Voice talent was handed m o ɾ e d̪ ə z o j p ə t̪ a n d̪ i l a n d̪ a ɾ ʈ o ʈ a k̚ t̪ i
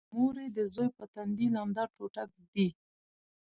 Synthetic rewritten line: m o ɾ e d̪ ə z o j p ə t̪ a n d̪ i l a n d̪ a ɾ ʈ o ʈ a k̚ d̪ i